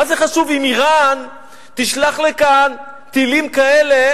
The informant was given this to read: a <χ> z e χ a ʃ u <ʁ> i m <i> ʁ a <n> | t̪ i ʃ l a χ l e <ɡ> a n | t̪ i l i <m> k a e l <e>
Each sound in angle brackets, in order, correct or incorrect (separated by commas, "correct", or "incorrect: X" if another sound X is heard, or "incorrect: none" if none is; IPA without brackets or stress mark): incorrect: none, incorrect: v, correct, correct, incorrect: k, correct, correct